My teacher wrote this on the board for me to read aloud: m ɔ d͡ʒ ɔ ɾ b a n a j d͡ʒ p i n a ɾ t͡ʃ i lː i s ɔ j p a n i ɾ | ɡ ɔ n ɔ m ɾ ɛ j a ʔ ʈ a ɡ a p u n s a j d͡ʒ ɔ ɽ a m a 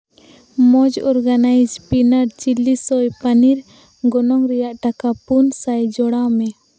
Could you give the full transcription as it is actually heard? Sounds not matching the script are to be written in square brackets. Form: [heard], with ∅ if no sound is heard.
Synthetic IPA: m ɔ d͡ʒ ɔ ɾ [ɡ] a n a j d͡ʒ p i n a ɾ t͡ʃ i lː i s ɔ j p a n i ɾ | ɡ ɔ n ɔ [ŋ] ɾ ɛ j a ʔ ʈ a [k] a p u n s a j d͡ʒ ɔ ɽ a m [ɛ]